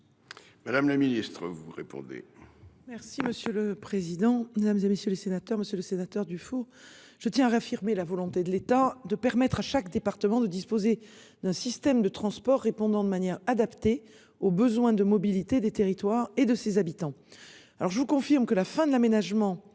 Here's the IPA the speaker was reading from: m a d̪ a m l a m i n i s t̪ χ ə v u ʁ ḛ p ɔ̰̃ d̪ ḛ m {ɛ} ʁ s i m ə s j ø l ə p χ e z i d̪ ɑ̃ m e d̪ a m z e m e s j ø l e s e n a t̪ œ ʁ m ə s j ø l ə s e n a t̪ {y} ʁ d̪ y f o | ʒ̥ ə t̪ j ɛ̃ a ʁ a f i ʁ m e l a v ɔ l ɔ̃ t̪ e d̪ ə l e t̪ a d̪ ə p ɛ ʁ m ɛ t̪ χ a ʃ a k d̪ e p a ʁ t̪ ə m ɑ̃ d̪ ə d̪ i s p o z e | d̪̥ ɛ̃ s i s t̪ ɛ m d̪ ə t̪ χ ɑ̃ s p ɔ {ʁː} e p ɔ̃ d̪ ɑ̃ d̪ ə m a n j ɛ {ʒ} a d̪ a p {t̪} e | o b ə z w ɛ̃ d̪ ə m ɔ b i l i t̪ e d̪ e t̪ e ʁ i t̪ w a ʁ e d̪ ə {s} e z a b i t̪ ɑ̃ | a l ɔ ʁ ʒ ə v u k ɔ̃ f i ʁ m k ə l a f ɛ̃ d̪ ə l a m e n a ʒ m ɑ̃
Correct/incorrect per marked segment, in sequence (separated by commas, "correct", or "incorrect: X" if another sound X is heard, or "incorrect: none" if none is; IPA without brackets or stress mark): correct, incorrect: œ, correct, incorrect: ʁ, correct, correct